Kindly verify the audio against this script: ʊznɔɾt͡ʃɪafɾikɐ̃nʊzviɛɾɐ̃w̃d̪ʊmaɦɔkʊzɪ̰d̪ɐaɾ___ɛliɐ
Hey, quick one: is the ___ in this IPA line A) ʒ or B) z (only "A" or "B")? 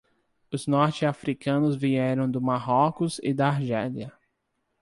A